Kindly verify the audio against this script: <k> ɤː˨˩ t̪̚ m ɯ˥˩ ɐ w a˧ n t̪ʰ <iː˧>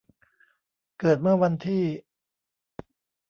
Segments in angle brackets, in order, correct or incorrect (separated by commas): correct, incorrect